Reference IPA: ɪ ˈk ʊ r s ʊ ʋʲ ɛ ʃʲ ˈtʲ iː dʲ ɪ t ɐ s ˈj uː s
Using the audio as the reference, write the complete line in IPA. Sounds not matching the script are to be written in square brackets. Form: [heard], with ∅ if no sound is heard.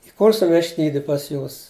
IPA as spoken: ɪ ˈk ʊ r s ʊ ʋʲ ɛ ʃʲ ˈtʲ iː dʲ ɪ [p] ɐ s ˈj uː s